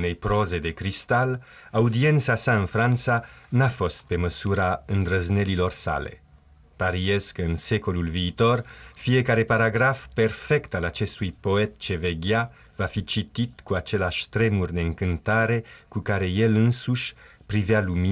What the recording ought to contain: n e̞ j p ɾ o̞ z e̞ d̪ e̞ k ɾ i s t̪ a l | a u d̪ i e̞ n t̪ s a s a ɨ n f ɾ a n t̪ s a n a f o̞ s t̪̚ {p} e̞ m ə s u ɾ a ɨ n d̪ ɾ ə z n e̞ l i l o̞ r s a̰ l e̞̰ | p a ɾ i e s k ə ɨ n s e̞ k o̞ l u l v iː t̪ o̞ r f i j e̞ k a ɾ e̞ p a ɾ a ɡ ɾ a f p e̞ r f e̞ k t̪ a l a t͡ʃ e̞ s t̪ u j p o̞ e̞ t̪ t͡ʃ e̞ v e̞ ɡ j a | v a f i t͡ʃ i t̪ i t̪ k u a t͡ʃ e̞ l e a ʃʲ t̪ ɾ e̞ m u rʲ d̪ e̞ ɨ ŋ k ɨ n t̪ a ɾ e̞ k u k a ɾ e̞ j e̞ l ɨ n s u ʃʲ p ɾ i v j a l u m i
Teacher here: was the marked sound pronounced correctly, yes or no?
yes